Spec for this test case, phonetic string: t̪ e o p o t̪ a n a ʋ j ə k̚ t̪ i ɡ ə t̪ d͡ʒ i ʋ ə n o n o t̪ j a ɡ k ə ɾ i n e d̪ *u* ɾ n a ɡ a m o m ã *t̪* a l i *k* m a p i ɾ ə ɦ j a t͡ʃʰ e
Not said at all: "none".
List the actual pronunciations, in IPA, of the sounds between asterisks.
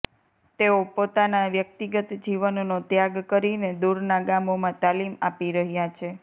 u, t̪, none

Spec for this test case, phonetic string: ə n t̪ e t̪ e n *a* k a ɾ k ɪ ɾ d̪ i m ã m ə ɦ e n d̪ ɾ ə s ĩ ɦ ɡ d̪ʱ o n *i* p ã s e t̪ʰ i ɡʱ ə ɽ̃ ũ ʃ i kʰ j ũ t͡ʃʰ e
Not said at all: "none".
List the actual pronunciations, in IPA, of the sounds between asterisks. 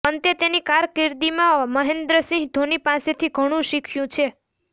i, i

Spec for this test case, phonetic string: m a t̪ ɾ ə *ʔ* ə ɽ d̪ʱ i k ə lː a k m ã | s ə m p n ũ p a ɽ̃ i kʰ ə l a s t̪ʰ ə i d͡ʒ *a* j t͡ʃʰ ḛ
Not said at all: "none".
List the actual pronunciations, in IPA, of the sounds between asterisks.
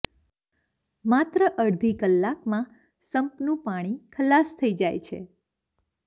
ʔ, a

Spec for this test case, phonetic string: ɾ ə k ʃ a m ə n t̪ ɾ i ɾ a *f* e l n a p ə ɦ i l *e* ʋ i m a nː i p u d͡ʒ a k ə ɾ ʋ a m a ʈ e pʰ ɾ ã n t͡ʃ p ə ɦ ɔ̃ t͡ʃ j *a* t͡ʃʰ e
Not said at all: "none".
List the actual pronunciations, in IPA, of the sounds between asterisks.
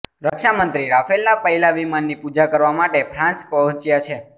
f, a, a

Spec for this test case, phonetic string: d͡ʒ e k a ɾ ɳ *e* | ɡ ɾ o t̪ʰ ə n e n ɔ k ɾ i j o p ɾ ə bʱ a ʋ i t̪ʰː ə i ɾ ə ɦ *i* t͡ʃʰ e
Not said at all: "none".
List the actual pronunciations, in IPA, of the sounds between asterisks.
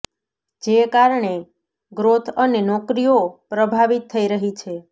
e, i

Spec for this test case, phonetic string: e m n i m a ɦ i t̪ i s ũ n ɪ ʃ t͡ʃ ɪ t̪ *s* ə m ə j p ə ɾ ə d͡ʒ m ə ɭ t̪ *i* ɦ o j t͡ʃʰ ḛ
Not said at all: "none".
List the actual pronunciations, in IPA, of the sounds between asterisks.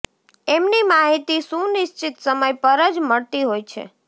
s, i

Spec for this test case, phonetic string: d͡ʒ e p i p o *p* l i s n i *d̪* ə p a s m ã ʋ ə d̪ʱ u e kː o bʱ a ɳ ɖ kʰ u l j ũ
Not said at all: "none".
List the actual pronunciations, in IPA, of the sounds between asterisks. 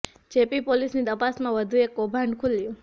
none, d̪

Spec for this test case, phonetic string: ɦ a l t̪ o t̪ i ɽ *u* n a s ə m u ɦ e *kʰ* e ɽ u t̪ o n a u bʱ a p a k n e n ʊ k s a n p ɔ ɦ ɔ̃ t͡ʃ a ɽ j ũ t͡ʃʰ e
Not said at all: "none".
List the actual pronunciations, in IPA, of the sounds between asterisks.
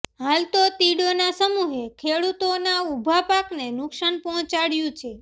o, kʰ

